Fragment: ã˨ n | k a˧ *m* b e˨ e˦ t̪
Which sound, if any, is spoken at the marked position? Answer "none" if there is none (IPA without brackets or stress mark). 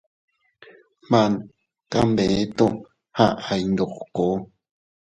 m